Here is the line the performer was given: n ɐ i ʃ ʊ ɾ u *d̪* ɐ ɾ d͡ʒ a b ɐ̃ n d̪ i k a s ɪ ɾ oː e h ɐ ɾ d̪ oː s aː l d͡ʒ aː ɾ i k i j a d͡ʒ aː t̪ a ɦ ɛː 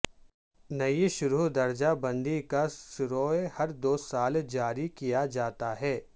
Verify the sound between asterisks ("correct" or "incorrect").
correct